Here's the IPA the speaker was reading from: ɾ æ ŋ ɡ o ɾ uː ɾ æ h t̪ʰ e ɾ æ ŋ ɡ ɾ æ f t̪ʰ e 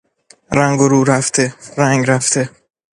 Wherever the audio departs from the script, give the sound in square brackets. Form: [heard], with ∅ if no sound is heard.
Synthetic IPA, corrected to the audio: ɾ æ ŋ ɡ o ɾ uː ɾ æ [f] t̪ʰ e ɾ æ ŋ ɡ ɾ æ f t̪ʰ e

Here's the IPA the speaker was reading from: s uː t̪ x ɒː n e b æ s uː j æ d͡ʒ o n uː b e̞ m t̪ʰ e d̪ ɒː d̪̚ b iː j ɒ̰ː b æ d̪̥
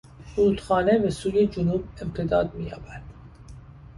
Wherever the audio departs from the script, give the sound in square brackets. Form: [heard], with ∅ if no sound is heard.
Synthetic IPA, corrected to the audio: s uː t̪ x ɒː n e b [e] s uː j [e] d͡ʒ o n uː b e̞ m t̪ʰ e d̪ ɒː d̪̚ [m] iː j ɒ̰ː b æ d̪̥

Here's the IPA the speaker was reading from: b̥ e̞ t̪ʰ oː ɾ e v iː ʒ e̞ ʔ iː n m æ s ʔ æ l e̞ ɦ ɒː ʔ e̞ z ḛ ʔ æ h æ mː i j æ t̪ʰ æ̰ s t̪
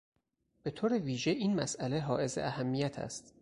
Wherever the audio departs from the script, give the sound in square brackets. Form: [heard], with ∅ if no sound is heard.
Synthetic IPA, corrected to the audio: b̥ e̞ t̪ʰ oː ɾ e v iː ʒ e̞ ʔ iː n m æ s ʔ æ l e̞ ɦ ɒː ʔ e̞ z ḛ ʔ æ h æ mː i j æ t̪ʰ æ̰ s t̪

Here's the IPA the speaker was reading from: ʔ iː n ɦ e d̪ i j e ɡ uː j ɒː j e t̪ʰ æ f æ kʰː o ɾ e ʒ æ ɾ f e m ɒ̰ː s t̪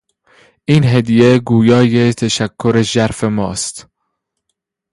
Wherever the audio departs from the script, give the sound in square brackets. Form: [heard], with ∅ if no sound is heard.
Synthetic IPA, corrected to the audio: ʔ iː n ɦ e d̪ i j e ɡ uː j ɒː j e t̪ʰ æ [ʃ] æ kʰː o ɾ e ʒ æ ɾ f e m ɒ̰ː s t̪

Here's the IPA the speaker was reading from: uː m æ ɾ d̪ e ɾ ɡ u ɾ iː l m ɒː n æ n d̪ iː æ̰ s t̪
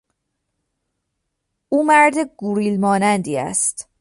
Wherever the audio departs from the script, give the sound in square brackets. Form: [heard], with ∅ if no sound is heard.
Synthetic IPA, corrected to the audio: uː m æ ɾ d̪ e [∅] ɡ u ɾ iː l m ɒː n æ n d̪ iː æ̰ s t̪

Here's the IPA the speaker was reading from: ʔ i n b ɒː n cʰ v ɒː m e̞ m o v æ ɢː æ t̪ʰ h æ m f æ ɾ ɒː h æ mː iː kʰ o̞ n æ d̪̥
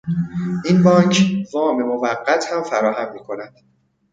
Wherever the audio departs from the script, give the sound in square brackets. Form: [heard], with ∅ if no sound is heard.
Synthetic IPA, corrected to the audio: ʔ i n b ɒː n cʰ v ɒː m e̞ m o v æ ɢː æ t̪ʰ h æ m f æ ɾ ɒː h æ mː iː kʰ o̞ n æ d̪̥

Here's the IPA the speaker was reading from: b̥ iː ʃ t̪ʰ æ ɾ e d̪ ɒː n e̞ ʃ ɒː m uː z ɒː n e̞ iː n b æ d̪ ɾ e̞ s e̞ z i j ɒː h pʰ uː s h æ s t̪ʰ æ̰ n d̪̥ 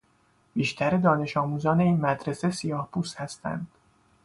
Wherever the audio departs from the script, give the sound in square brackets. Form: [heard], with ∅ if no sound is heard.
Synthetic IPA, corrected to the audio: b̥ iː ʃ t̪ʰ æ ɾ e d̪ ɒː n e̞ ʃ ɒː m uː z ɒː n e̞ iː n [m] æ d̪ ɾ e̞ s e̞ [s] i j ɒː h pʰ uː s h æ s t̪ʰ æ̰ n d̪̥

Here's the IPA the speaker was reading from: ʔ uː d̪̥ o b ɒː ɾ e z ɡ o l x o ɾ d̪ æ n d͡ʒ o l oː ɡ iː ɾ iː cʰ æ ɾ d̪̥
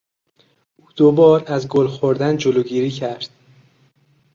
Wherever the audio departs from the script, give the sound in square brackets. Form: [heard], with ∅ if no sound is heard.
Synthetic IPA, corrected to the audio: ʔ uː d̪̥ o b ɒː ɾ [æ] z ɡ o l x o ɾ d̪ æ n d͡ʒ o l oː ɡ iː ɾ iː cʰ æ ɾ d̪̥

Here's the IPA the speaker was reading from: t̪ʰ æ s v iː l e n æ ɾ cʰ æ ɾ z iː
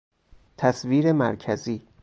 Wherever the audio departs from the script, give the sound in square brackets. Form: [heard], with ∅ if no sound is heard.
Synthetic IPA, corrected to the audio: t̪ʰ æ s v iː [ɾ] e [m] æ ɾ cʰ æ [∅] z iː

